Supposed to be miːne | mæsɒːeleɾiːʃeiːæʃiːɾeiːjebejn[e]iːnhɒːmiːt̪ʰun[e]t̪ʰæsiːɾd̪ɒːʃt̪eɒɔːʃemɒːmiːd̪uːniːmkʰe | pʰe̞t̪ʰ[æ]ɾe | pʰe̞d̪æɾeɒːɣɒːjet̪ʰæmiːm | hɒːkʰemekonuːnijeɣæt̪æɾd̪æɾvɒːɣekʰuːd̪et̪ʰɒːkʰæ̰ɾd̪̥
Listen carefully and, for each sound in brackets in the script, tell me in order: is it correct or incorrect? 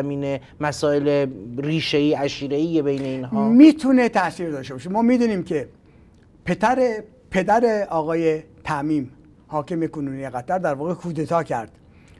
correct, correct, correct

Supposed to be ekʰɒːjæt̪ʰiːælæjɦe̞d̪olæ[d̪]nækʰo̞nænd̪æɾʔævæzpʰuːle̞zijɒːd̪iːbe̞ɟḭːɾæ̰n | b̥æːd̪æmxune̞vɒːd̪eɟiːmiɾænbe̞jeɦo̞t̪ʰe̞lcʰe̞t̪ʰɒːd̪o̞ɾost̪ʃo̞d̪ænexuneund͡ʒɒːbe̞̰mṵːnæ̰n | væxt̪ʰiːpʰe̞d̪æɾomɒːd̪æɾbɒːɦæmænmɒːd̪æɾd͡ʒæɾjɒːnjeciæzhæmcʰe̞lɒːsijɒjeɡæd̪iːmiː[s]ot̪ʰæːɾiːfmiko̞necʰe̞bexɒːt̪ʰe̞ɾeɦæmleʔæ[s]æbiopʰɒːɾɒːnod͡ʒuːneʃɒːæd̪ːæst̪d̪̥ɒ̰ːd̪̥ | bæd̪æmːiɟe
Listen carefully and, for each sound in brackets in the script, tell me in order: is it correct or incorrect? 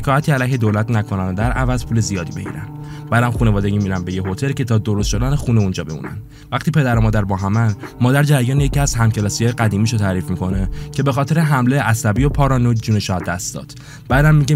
incorrect, incorrect, correct

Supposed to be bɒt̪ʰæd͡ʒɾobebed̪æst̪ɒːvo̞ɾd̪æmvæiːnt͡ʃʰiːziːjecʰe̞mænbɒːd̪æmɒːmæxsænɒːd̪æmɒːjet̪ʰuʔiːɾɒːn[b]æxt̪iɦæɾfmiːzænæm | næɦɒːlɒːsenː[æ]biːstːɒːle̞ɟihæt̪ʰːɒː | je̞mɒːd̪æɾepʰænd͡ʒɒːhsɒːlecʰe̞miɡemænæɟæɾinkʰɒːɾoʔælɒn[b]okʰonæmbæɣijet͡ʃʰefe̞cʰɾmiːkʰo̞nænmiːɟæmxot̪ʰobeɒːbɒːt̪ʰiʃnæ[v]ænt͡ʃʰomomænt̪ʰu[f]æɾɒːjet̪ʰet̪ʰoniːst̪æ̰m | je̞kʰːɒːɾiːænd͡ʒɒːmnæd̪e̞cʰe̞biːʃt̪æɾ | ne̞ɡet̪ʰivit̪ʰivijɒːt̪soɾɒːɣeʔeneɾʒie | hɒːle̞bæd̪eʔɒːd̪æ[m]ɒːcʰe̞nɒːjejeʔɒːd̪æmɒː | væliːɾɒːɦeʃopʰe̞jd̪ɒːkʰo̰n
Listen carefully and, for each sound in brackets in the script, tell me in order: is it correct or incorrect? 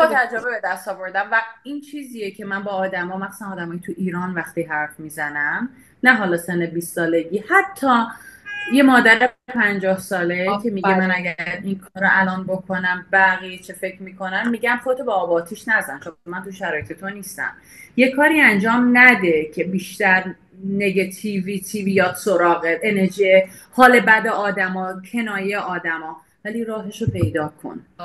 incorrect, incorrect, correct, incorrect, incorrect, correct

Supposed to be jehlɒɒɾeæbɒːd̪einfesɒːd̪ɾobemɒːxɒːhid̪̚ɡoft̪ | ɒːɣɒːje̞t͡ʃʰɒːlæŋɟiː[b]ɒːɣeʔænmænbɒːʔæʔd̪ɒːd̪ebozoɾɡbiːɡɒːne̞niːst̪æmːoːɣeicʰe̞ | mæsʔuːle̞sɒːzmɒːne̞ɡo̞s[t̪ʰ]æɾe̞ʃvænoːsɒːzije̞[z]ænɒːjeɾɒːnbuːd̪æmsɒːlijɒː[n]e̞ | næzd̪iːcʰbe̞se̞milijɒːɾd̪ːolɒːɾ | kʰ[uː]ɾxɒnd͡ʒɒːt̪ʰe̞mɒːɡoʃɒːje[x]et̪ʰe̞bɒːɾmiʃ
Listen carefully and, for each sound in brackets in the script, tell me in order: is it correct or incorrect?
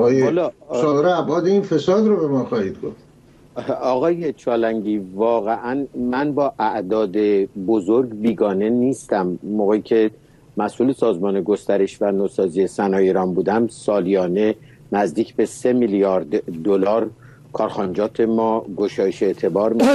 incorrect, incorrect, incorrect, correct, incorrect, incorrect

